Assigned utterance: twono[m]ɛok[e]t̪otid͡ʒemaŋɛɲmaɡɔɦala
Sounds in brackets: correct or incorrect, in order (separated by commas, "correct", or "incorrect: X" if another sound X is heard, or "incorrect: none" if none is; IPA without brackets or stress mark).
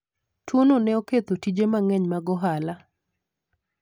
incorrect: n, correct